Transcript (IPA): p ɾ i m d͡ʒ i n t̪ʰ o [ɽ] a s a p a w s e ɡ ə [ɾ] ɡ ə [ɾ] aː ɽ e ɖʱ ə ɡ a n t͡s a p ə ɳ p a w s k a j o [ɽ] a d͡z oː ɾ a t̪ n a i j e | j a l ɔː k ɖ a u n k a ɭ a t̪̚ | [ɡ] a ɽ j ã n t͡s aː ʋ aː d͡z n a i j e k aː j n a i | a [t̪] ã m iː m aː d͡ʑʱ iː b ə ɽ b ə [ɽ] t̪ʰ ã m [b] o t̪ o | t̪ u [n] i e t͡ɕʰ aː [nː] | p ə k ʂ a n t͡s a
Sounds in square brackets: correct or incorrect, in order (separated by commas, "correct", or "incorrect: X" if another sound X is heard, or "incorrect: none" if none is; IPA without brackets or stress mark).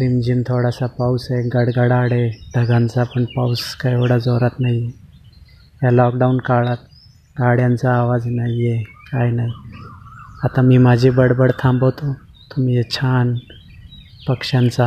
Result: correct, incorrect: ɽ, incorrect: ɽ, correct, correct, correct, correct, correct, incorrect: m, incorrect: n